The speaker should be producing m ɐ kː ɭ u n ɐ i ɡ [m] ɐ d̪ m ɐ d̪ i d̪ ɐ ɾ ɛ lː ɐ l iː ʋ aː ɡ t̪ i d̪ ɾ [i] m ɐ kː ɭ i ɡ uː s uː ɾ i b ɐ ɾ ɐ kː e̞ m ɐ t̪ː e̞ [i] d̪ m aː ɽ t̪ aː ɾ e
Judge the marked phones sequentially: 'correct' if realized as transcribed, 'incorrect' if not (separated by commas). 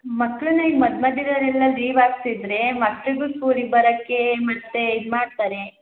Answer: correct, incorrect, correct